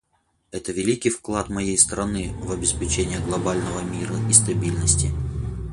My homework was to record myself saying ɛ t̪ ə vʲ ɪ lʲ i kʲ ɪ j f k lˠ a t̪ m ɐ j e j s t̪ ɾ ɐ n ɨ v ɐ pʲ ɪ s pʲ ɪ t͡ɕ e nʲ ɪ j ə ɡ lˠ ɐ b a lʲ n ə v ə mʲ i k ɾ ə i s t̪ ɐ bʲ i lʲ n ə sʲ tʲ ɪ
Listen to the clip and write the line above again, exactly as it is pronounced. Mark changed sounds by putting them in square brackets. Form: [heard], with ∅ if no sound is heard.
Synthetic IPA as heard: ɛ t̪ ə vʲ ɪ lʲ i kʲ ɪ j f k lˠ a t̪ m ɐ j e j s t̪ ɾ ɐ n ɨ v ɐ [bʲ] ɪ s pʲ ɪ t͡ɕ e nʲ ɪ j ə ɡ lˠ ɐ b a lʲ n ə v ə mʲ i [∅] ɾ ə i s t̪ ɐ bʲ i lʲ n ə sʲ tʲ ɪ